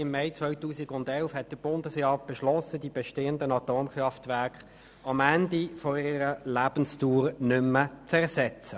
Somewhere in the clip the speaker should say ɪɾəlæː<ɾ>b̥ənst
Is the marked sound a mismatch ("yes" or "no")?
yes